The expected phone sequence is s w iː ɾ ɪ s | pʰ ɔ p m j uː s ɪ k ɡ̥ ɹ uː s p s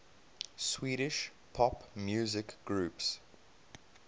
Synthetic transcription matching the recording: s w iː ɾ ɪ ʃ | pʰ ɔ p m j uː z ɪ k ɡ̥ ɹ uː p s